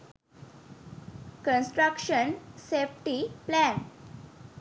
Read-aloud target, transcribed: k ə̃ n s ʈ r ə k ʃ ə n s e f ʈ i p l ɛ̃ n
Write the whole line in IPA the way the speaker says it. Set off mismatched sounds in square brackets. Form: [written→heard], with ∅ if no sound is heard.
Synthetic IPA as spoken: k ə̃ n s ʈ [r→ɾ] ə k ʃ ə n s e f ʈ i p l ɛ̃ n